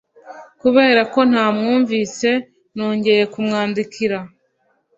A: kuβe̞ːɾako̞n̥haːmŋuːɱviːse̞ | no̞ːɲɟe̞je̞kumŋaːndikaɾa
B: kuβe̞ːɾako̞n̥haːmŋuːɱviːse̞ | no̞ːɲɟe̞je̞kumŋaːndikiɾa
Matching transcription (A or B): B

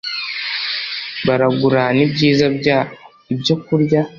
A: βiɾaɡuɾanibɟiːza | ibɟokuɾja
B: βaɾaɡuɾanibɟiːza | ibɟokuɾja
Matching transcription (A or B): B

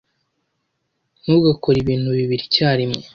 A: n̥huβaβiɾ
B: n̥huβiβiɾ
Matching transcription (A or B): B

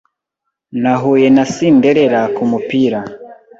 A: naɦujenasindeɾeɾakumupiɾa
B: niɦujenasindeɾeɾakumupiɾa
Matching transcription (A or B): A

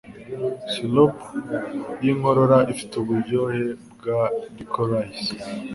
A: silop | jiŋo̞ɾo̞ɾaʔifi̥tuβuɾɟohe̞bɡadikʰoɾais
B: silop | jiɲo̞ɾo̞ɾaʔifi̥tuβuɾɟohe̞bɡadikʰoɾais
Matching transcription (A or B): A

